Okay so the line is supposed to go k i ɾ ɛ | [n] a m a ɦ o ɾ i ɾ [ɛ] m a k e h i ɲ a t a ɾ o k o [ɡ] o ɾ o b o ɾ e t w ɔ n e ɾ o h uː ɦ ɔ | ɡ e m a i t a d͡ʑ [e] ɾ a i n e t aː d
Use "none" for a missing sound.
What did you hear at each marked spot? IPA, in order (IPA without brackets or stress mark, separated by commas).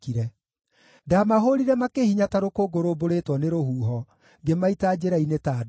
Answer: d, ɛ, ɡ, e